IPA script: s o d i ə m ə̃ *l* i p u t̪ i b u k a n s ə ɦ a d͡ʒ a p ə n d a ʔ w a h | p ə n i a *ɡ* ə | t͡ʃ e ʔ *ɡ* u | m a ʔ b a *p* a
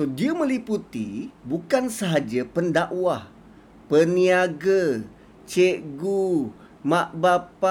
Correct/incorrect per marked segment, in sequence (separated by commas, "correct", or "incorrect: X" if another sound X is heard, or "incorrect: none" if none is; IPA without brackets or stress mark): correct, correct, correct, correct